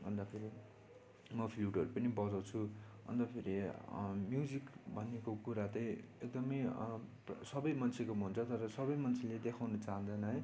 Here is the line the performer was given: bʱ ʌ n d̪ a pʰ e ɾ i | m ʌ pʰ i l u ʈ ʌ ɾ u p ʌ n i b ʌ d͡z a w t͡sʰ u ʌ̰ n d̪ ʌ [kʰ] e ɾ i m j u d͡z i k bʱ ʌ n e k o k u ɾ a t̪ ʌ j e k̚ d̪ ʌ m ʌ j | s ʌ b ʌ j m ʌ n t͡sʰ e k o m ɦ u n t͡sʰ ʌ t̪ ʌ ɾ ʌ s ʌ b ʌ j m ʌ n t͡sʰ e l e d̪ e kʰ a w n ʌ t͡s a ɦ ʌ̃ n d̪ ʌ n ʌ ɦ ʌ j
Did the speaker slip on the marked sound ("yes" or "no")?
yes